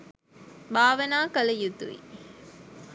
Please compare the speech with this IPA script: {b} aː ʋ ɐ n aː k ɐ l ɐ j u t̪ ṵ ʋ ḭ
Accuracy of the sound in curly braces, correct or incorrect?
correct